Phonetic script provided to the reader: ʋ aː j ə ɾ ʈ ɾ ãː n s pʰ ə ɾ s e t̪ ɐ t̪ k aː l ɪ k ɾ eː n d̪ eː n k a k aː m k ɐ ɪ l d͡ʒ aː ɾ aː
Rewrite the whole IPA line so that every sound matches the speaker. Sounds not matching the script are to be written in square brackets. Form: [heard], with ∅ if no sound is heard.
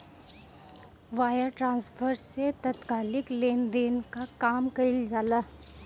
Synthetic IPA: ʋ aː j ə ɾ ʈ ɾ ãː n s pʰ ə ɾ s e t̪ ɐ t̪ k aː l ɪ k [l] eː n d̪ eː n k a k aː m k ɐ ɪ l d͡ʒ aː [l] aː